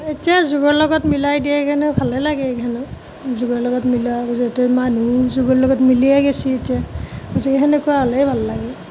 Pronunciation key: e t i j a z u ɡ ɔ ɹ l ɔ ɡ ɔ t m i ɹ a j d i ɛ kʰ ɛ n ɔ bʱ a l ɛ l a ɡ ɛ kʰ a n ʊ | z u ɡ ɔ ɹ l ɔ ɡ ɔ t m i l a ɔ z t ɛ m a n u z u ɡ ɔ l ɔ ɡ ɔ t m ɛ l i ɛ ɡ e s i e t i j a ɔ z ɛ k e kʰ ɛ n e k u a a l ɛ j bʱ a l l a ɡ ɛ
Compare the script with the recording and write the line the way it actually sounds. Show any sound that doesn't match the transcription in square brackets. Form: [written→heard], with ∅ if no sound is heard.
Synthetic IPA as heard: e t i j a z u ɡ ɔ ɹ l ɔ ɡ ɔ t m i [ɹ→l] a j d i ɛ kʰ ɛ n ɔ bʱ a l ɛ l a ɡ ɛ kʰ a n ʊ | z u ɡ ɔ ɹ l ɔ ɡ ɔ t m i l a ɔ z t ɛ m a n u z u ɡ ɔ l ɔ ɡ ɔ t m [ɛ→i] l i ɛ ɡ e s i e t i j a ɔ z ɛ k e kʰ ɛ n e k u a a l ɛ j bʱ a l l a ɡ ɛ